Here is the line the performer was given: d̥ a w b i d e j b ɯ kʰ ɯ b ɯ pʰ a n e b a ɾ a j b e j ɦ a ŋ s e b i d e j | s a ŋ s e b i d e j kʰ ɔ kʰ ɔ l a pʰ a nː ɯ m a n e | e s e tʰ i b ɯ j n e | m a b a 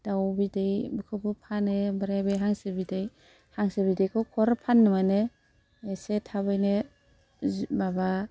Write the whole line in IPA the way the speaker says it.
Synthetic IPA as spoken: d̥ a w b i d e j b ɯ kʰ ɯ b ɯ pʰ a n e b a ɾ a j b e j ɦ a ŋ s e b i d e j | h a ŋ s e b i d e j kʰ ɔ kʰ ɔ ɾ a pʰ a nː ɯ m a n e | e s e tʰ a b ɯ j n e | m a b a